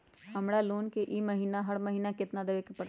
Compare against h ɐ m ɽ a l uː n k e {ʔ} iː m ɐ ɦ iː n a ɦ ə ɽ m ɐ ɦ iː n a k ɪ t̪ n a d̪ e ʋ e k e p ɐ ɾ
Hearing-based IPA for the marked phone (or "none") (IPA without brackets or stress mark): ʔ